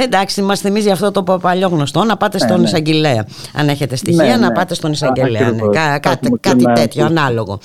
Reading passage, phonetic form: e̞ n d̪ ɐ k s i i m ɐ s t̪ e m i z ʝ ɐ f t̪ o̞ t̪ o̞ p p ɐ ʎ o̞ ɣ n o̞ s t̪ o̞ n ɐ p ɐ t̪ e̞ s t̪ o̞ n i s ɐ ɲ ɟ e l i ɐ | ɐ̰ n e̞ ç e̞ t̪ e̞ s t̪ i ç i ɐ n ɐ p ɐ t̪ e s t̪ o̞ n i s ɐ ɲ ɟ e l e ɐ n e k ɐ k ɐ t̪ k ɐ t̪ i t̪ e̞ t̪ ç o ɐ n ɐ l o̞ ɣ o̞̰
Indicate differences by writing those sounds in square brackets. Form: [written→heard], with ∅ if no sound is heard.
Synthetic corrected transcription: e̞ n d̪ ɐ k s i i m ɐ s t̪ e m i z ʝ ɐ f t̪ o̞ t̪ o̞ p p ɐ ʎ o̞ ɣ n o̞ s t̪ o̞ n ɐ p ɐ t̪ e̞ s t̪ o̞ n i s ɐ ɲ ɟ e l [i→e] ɐ | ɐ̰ n e̞ ç e̞ t̪ e̞ s t̪ i ç i ɐ n ɐ p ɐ t̪ e s t̪ o̞ n i s ɐ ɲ ɟ e l e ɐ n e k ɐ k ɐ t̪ k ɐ t̪ i t̪ e̞ t̪ ç o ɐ n ɐ l o̞ ɣ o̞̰